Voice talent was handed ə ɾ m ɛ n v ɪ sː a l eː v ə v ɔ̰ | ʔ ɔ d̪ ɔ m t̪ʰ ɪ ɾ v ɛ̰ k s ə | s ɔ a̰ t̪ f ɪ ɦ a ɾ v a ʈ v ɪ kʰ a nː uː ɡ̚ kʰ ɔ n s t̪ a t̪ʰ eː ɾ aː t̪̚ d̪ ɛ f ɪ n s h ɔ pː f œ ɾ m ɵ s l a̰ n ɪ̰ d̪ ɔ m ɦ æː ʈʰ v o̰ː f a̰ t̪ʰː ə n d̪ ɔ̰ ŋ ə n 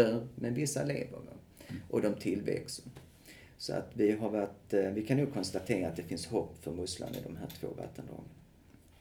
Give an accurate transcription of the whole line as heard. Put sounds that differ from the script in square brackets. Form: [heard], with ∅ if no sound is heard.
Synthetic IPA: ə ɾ m ɛ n v ɪ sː a l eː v ə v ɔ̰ | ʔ ɔ d̪ ɔ m t̪ʰ ɪ [l] v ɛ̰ k s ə | s ɔ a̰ t̪ [v] ɪ ɦ a ɾ v a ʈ v ɪ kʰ a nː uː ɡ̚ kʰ ɔ n s t̪ a t̪ʰ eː ɾ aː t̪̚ d̪ ɛ f ɪ n s h ɔ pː f œ ɾ m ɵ s l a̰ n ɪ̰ d̪ ɔ m ɦ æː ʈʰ v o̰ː [v] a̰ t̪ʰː ə n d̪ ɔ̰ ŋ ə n